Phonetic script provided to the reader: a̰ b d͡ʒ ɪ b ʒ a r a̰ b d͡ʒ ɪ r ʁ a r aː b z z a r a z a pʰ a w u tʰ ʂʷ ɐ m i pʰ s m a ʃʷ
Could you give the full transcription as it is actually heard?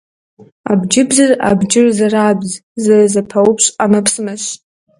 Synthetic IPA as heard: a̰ b d͡ʒ ɪ b z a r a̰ b d͡ʒ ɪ r z a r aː b z z a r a z a pʰ a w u pʰ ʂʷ a m a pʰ s m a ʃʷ